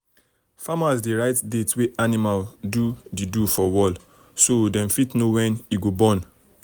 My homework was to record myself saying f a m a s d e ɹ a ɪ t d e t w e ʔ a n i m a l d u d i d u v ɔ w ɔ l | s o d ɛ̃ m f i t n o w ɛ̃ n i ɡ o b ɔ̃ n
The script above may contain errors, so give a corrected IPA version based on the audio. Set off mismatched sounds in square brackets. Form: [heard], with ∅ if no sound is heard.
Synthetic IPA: f a m a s d e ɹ a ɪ t d e t w e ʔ a n i m a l d u d i d u [f] ɔ w ɔ l | s o d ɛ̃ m f i t n o w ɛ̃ n i ɡ o b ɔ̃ n